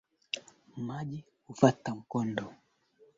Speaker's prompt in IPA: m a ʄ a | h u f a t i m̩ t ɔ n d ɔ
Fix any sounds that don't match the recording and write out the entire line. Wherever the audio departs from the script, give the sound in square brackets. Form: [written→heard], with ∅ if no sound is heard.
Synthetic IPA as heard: m a ʄ [a→i] | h u f a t [i→a] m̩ [t→k] ɔ n d ɔ